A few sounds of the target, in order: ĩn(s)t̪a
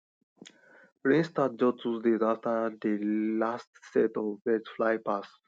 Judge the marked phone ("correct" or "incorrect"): correct